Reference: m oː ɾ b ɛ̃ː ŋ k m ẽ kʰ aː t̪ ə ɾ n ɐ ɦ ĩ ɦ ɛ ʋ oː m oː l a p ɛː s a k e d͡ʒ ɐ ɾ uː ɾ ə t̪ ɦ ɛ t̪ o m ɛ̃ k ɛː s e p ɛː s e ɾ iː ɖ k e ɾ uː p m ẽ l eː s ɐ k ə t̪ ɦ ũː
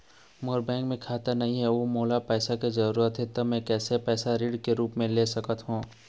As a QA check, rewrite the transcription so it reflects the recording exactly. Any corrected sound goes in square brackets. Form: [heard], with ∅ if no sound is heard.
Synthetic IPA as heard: m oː ɾ b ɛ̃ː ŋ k m ẽ kʰ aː t̪ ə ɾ n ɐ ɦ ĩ ɦ ɛ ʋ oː m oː l a p ɛː s a k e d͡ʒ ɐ ɾ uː ɾ ə t̪ ɦ ɛ t̪ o m ɛ̃ k ɛː s e p ɛː s [a] ɾ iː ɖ k e ɾ uː p m ẽ l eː s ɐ k ə t̪ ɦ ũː